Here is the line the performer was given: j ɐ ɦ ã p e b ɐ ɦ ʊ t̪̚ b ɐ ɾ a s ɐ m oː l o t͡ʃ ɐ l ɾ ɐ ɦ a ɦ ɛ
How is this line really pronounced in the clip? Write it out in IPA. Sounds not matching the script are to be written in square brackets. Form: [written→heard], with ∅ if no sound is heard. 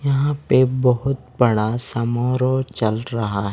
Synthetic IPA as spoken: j ɐ ɦ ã p e b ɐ ɦ ʊ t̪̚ b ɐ [ɾ→ɽ] a s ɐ m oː [l→ɾ] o t͡ʃ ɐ l ɾ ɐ ɦ a ɦ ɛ

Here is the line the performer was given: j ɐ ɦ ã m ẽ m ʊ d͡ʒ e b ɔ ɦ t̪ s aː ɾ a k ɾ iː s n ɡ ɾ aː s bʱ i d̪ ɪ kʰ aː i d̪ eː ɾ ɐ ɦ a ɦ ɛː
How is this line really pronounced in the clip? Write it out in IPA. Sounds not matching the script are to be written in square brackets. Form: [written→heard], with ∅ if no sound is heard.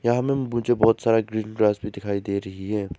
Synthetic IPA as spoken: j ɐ ɦ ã m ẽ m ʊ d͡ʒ e b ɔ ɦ t̪ s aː ɾ a [k→ɡ] ɾ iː [s→∅] n ɡ ɾ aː s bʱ i d̪ ɪ kʰ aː i d̪ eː ɾ ɐ ɦ [a→i] ɦ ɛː

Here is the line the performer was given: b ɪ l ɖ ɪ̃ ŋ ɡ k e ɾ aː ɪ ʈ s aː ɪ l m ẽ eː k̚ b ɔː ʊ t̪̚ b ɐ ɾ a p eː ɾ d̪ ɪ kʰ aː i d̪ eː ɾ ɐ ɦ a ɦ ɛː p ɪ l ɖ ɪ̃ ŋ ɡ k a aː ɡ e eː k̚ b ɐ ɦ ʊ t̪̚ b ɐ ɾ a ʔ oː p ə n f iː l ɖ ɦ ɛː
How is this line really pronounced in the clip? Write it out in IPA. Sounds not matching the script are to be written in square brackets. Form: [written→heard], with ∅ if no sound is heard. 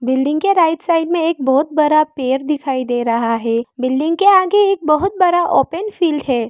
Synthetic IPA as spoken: b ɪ l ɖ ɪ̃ ŋ ɡ k e ɾ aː ɪ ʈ s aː ɪ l m ẽ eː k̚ b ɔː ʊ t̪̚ b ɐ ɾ a p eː ɾ d̪ ɪ kʰ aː i d̪ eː ɾ ɐ ɦ a ɦ ɛː [p→b] ɪ l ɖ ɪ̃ ŋ ɡ k [a→e] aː ɡ e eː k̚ b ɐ ɦ ʊ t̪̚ b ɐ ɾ a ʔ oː p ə n f iː l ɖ ɦ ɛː

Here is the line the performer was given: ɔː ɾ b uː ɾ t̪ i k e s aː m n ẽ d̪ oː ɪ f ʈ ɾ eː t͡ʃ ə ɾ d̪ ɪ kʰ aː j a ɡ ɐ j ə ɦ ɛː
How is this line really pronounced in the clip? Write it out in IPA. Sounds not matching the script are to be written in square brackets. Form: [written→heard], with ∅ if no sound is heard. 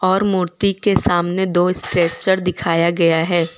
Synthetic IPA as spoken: ɔː ɾ [b→m] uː ɾ t̪ i k e s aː m n [ẽ→e] d̪ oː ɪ [f→s] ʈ ɾ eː t͡ʃ ə ɾ d̪ ɪ kʰ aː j a ɡ ɐ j [ə→a] ɦ ɛː

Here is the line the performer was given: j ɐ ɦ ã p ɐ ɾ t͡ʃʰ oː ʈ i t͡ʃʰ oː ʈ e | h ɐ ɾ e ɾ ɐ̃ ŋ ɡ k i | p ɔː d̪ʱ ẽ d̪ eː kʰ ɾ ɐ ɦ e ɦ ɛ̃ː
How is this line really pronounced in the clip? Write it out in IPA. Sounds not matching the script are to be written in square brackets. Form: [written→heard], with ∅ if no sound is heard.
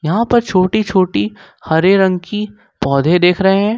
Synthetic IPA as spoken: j ɐ ɦ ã p ɐ ɾ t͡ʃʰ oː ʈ i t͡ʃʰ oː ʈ [e→i] | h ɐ ɾ e ɾ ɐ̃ ŋ ɡ k i | p ɔː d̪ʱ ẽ d̪ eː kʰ ɾ ɐ ɦ e ɦ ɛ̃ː

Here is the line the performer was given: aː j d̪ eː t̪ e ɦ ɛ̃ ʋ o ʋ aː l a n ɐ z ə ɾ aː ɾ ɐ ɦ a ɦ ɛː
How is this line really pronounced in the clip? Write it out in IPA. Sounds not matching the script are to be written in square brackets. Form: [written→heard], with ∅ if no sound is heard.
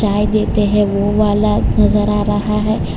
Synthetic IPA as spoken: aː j d̪ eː t̪ e ɦ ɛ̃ ʋ o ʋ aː l a n ɐ z ə ɾ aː ɾ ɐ ɦ a ɦ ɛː

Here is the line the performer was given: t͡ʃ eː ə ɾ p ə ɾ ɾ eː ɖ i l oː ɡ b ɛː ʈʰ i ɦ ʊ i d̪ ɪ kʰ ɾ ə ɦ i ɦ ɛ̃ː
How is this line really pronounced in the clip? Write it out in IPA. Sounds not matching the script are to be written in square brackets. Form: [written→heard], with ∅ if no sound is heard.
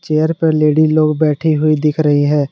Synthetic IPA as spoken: t͡ʃ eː ə ɾ p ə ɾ [ɾ→l] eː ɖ i l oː ɡ b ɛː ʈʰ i ɦ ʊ i d̪ ɪ kʰ ɾ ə ɦ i ɦ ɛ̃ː

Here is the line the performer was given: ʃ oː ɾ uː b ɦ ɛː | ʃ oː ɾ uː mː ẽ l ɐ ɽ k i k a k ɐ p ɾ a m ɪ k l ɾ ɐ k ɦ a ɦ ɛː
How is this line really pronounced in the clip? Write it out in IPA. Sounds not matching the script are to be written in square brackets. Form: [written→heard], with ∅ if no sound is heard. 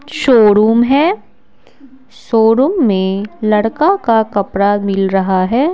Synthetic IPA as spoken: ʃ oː ɾ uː [b→m] ɦ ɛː | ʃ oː ɾ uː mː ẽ l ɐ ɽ k [i→a] k a k ɐ p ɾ a m ɪ [k→∅] l ɾ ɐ [k→∅] ɦ a ɦ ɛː

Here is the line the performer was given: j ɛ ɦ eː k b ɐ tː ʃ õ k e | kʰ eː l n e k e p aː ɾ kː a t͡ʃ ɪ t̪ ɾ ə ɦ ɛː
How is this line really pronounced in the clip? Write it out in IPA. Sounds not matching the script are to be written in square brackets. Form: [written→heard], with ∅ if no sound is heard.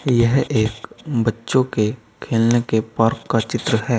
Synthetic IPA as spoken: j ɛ ɦ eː k b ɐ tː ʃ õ k e | kʰ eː l n e k e p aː ɾ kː a t͡ʃ ɪ t̪ ɾ ə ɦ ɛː

